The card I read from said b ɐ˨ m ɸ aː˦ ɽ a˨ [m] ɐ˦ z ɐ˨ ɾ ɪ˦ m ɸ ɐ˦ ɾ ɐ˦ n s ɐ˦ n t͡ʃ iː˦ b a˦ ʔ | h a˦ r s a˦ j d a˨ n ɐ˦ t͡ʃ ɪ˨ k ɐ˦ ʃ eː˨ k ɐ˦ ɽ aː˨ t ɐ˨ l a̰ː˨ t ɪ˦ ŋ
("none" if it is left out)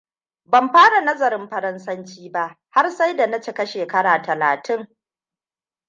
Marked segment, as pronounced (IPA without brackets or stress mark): n